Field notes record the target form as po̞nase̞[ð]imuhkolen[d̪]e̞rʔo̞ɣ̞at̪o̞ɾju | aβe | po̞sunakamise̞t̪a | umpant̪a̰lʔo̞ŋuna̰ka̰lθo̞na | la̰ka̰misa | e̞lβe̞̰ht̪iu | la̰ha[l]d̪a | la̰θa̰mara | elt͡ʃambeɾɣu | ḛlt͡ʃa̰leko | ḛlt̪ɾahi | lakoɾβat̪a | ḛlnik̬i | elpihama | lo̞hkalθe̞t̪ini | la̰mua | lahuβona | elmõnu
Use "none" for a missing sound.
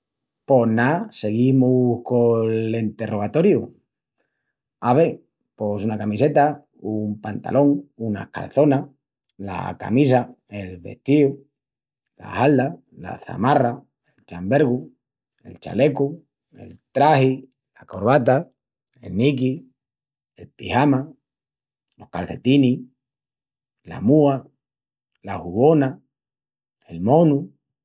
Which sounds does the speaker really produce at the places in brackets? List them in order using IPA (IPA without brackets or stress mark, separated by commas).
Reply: ɣ, t̪, l